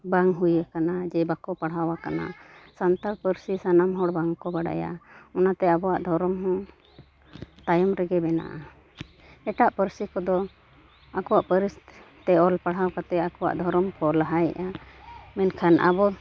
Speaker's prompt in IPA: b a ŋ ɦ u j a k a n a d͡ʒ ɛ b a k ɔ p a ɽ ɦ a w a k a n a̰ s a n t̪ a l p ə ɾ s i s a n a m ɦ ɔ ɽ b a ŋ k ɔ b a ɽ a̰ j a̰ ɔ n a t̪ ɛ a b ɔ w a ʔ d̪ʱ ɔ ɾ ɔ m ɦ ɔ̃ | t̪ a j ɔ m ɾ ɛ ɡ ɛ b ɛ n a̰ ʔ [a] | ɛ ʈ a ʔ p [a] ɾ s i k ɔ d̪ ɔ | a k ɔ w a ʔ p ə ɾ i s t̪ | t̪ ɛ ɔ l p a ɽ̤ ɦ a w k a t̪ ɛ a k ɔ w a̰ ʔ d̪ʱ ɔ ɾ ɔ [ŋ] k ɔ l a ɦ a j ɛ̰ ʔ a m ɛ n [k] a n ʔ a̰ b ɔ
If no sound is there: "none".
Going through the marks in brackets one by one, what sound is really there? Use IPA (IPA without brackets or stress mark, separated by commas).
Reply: a, ə, m, kʰ